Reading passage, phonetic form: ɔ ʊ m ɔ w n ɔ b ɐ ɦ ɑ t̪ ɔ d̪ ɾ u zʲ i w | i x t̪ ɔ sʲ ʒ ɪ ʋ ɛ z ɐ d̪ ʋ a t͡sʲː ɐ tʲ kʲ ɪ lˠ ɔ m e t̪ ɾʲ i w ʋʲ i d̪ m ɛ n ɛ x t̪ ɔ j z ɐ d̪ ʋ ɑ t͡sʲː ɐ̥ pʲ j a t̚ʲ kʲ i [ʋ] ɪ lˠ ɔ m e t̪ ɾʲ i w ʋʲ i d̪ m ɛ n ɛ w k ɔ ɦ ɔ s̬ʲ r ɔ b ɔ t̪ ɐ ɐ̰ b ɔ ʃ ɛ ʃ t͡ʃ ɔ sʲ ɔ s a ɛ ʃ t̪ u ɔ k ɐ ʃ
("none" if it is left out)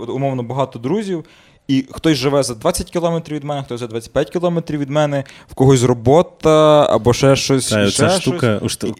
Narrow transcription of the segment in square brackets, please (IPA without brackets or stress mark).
none